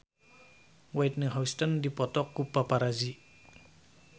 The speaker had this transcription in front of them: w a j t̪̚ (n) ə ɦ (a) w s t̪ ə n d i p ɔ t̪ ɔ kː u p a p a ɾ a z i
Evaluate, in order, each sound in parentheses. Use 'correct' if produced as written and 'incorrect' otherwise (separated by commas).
correct, correct